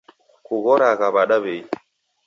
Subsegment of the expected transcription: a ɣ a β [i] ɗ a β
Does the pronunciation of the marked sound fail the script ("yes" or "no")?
yes